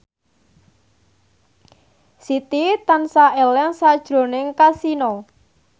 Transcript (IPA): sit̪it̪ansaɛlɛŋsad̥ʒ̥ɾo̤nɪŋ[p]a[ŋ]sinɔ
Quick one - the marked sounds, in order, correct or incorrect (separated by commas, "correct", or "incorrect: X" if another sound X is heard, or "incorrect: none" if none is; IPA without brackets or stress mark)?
incorrect: k, incorrect: none